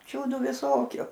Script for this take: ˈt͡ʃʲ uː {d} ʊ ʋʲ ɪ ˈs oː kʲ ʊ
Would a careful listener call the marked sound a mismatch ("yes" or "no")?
no